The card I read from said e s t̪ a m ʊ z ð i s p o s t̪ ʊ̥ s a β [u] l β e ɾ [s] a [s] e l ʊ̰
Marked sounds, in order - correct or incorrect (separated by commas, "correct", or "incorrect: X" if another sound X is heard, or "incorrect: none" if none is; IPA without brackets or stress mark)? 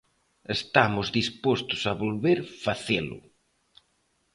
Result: incorrect: o, incorrect: f, incorrect: θ